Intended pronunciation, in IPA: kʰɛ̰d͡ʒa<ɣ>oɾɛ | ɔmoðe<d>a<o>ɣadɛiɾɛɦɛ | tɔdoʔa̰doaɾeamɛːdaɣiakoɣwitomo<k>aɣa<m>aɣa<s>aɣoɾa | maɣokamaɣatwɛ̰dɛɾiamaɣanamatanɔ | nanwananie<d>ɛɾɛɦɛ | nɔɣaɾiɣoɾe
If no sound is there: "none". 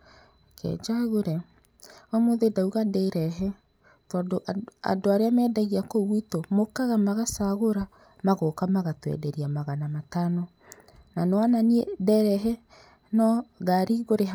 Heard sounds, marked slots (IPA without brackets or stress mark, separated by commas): ɣ, d, u, k, m, s, d